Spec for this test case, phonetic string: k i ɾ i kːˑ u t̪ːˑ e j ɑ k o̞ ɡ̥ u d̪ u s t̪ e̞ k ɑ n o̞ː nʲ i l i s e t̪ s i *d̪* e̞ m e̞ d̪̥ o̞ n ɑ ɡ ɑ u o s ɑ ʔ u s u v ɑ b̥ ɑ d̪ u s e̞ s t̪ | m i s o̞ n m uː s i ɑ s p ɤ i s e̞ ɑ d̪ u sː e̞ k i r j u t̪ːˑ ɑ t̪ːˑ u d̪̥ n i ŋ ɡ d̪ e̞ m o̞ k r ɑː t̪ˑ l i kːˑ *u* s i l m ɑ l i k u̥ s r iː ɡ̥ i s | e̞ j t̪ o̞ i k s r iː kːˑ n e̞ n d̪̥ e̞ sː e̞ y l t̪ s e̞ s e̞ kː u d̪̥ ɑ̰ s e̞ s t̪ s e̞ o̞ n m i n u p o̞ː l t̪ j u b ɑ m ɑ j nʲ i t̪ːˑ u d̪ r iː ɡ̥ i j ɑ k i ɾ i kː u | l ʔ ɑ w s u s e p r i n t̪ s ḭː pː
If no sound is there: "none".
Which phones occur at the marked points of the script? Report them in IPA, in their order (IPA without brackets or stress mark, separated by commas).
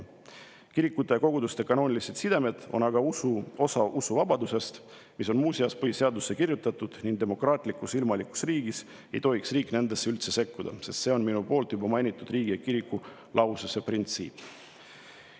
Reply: d̪, u